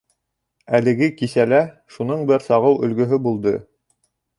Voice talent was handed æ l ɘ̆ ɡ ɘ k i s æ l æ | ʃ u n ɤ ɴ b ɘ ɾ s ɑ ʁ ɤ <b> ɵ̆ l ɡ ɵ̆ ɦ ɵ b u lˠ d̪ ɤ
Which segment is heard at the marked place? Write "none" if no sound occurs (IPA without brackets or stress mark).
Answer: w